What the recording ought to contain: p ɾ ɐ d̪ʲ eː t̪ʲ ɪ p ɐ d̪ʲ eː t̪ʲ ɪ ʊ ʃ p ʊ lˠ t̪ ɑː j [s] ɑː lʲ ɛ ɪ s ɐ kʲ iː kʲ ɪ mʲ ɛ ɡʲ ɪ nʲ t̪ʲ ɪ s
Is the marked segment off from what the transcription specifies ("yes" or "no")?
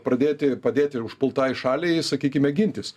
yes